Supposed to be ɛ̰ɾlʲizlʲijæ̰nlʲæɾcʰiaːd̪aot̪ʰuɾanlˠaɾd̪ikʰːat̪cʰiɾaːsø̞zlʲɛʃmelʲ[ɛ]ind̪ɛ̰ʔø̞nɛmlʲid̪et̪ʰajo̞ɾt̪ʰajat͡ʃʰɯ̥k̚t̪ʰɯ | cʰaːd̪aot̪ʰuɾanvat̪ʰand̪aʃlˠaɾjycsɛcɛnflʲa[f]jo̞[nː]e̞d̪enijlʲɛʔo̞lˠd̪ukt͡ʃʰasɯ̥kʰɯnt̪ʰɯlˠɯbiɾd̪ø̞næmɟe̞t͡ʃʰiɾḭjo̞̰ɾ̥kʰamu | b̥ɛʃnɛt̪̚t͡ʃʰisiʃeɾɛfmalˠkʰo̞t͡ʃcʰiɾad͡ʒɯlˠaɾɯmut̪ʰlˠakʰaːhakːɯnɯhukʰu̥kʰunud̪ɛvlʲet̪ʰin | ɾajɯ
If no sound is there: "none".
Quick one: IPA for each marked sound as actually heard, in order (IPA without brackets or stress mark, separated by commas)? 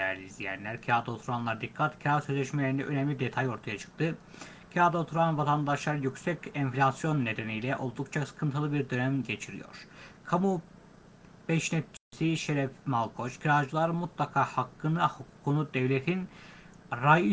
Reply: e, s, nː